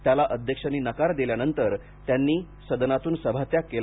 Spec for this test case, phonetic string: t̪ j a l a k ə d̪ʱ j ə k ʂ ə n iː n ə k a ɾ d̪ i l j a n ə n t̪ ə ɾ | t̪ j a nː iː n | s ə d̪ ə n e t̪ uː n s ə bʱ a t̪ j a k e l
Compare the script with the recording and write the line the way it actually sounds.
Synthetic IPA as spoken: t̪ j a l a ʔ ə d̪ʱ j ə k ʂ ə n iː n ə k a ɾ d̪ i l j a n ə n t̪ ə ɾ | t̪ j a nː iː | s ə d̪ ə n a t̪ uː n s ə bʱ a t̪ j a k e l